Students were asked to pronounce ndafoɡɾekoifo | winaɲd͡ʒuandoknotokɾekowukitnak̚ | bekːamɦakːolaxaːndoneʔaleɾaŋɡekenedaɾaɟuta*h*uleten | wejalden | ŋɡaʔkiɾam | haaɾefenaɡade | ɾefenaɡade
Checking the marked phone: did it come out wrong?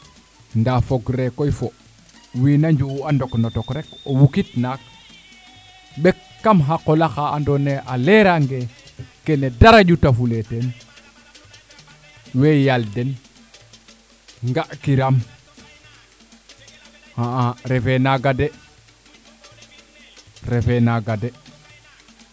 yes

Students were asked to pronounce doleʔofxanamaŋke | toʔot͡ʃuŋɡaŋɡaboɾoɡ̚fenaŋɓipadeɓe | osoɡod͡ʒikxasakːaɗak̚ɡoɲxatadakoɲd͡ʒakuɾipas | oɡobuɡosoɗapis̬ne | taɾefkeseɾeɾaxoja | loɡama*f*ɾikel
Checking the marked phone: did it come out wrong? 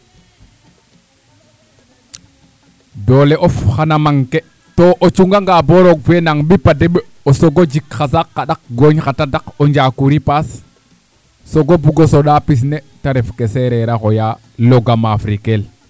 no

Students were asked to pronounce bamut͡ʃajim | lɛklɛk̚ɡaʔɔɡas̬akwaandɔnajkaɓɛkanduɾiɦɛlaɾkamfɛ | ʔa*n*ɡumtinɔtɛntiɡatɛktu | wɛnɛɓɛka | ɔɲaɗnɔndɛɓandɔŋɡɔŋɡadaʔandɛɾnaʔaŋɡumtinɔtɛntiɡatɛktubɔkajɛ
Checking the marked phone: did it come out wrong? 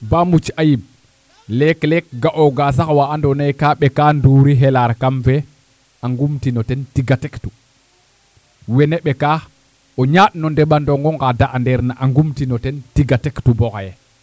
yes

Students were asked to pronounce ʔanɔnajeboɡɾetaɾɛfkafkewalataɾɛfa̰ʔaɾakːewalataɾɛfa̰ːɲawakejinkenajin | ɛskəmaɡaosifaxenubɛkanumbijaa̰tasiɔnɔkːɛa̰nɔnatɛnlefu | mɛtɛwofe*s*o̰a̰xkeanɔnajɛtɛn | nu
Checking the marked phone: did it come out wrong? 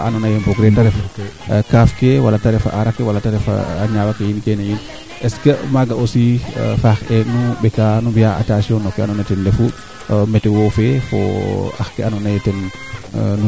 yes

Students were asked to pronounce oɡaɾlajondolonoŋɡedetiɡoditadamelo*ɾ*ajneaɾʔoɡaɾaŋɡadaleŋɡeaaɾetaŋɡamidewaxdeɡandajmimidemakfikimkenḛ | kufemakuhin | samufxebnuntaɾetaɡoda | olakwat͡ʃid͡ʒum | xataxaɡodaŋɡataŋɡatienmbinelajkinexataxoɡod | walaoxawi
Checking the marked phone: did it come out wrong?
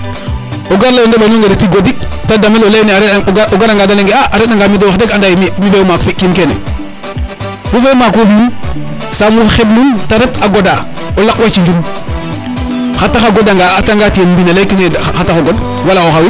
yes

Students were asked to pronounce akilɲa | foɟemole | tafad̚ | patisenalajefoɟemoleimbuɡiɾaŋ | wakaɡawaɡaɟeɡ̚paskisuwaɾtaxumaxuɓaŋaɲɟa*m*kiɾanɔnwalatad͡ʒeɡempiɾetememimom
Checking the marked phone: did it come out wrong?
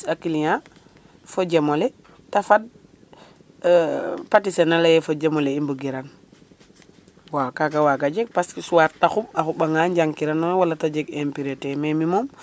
yes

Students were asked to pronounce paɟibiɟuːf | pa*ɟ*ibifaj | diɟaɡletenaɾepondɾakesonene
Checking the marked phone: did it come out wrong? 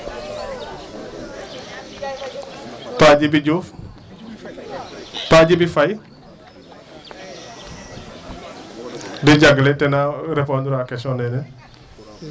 no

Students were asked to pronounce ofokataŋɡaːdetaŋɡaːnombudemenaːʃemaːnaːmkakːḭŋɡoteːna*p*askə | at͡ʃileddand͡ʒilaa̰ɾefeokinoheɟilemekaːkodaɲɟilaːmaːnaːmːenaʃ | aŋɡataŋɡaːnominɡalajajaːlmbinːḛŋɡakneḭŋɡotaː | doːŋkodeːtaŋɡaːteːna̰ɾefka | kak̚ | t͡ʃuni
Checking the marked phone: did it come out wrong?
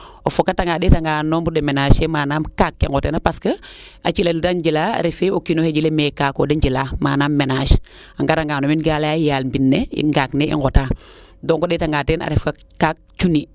no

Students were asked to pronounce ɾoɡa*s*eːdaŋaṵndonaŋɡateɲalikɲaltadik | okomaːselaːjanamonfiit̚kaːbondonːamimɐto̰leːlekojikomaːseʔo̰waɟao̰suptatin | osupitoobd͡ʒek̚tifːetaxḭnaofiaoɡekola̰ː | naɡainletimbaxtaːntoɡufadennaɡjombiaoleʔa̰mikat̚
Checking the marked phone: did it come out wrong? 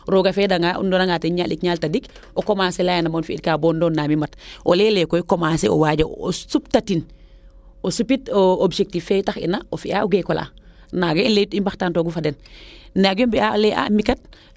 yes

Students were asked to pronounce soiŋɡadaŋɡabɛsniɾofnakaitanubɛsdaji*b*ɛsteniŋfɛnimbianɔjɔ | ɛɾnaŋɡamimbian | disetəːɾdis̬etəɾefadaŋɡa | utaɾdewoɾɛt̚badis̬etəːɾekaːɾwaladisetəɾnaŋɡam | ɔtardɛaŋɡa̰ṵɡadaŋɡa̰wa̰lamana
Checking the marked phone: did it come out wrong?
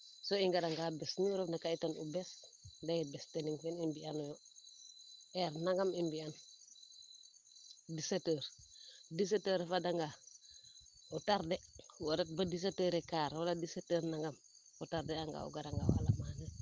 no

